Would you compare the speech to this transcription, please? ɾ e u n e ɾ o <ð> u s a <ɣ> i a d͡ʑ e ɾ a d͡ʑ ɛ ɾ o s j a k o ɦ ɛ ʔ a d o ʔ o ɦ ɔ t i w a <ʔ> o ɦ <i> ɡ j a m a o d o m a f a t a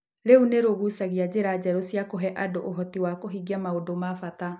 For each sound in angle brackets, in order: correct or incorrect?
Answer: incorrect, correct, incorrect, correct

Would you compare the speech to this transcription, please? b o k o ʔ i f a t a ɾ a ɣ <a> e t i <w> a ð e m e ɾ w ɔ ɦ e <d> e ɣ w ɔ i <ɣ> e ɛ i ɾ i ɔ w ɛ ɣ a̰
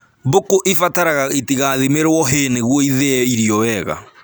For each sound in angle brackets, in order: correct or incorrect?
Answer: correct, incorrect, incorrect, incorrect

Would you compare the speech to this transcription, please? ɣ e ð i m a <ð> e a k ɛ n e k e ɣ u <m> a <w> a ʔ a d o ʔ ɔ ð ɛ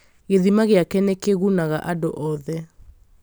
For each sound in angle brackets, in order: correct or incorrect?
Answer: incorrect, incorrect, incorrect

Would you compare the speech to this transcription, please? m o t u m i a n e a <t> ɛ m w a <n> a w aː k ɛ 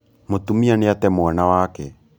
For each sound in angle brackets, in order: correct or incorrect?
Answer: correct, correct

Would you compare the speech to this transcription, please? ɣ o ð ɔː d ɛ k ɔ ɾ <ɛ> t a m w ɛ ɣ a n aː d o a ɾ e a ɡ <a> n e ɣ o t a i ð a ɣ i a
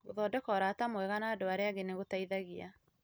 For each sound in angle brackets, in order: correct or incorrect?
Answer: incorrect, incorrect

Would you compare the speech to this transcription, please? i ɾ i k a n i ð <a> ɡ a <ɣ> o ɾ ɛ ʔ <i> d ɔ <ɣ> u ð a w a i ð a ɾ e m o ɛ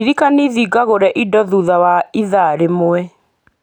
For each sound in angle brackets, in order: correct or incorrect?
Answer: incorrect, correct, correct, incorrect

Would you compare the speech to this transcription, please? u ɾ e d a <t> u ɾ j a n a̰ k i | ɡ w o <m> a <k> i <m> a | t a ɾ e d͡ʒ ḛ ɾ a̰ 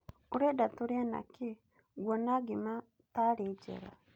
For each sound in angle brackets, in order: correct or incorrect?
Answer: correct, incorrect, incorrect, correct

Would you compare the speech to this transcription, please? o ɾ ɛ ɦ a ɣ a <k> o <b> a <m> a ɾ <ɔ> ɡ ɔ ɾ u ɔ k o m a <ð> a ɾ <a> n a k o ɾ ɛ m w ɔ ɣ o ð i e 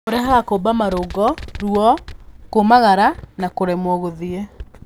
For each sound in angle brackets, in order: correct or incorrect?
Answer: correct, correct, correct, incorrect, incorrect, correct

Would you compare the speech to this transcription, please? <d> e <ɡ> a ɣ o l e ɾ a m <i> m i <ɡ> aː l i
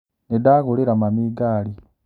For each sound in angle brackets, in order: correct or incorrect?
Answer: incorrect, incorrect, incorrect, correct

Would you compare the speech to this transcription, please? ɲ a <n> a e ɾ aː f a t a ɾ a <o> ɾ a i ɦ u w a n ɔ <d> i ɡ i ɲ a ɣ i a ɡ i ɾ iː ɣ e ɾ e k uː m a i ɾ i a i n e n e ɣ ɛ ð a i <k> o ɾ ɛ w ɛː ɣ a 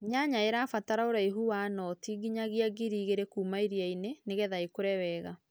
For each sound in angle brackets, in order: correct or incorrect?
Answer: incorrect, correct, incorrect, correct

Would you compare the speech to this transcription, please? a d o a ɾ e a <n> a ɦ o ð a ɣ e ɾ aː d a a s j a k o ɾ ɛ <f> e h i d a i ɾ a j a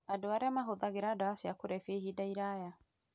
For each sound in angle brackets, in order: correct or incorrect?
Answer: incorrect, correct

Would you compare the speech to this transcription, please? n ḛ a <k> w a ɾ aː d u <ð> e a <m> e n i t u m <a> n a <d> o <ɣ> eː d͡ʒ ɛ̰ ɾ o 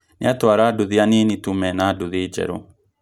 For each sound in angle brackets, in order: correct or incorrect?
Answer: incorrect, correct, incorrect, incorrect, correct, incorrect

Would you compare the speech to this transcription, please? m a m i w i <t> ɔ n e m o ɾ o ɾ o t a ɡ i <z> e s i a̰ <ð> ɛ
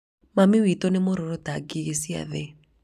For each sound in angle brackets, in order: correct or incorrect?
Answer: correct, incorrect, correct

